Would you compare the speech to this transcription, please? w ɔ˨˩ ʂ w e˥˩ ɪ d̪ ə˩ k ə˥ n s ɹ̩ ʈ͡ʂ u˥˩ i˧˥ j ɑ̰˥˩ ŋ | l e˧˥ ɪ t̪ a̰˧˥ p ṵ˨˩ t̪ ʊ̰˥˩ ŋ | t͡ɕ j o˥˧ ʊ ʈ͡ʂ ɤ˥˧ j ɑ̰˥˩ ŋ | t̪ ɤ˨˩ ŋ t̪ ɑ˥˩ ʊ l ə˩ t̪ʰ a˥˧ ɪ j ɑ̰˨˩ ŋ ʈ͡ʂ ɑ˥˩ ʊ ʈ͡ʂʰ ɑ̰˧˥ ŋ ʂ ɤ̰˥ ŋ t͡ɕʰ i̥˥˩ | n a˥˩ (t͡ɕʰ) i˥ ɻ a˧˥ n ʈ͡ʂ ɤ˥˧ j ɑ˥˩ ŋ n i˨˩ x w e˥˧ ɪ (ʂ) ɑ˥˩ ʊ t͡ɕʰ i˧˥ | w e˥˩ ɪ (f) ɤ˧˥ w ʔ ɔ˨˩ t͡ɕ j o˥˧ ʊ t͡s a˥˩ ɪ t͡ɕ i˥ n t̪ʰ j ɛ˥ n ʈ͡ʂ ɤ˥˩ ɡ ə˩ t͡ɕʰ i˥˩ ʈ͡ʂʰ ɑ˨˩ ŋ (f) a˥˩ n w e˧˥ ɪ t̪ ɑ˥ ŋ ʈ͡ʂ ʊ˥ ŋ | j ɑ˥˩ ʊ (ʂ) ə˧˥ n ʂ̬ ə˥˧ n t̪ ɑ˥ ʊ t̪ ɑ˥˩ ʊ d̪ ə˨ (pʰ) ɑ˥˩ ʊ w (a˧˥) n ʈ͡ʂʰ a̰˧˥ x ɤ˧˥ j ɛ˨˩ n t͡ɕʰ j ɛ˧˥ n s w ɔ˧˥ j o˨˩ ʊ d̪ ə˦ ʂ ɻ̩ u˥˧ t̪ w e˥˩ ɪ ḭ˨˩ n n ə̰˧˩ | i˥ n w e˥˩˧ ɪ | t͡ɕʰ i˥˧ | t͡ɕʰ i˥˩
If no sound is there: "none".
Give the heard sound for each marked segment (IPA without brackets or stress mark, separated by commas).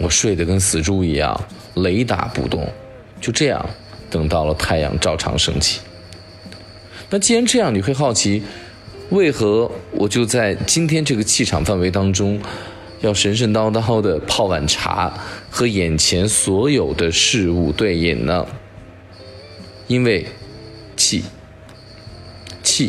t͡ɕ, x, x, f, ʂ, pʰ, a˨˩